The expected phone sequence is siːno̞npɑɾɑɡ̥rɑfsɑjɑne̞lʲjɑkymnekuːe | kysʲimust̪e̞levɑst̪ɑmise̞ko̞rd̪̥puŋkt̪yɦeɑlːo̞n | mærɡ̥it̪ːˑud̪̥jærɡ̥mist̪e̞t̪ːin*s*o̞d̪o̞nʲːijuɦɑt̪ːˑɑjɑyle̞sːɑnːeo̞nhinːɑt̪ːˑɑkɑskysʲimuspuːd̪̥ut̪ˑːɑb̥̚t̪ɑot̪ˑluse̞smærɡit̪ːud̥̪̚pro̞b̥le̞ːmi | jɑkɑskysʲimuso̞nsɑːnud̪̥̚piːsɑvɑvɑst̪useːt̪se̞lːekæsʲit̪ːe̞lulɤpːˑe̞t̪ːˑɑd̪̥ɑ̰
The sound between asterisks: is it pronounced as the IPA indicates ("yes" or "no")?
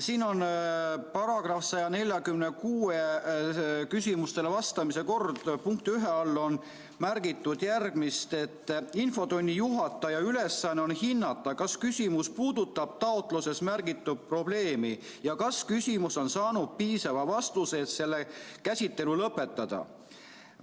no